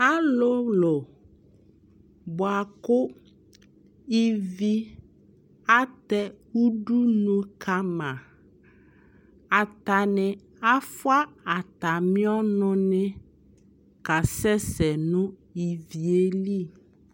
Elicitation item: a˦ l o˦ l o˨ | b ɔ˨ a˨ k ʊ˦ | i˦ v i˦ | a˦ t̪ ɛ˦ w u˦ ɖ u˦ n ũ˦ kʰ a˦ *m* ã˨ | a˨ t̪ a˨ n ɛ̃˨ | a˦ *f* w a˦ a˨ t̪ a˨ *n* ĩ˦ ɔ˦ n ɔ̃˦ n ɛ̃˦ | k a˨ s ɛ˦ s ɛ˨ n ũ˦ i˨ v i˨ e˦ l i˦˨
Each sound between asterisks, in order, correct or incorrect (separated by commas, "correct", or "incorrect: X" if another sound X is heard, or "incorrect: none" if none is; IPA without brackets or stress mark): correct, correct, incorrect: m